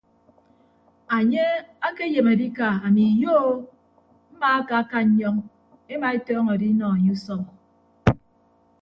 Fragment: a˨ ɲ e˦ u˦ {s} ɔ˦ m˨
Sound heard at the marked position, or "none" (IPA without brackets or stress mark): s